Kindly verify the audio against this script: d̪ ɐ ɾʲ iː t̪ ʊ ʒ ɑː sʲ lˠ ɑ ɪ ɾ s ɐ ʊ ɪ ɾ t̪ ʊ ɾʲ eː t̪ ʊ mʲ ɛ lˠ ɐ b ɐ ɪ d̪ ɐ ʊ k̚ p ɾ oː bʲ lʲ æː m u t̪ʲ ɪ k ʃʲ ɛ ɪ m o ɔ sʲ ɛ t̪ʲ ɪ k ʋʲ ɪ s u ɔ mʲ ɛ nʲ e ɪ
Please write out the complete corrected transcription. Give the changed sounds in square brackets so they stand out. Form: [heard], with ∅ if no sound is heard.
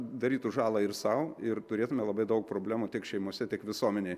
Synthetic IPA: d̪ ɐ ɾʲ iː t̪ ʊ ʒ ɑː [∅] lˠ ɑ ɪ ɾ s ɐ ʊ ɪ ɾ t̪ ʊ ɾʲ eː t̪ ʊ mʲ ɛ lˠ ɐ b ɐ ɪ d̪ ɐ ʊ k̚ p ɾ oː bʲ lʲ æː m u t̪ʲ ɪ k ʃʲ ɛ ɪ m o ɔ sʲ ɛ t̪ʲ ɪ k ʋʲ ɪ s u ɔ mʲ ɛ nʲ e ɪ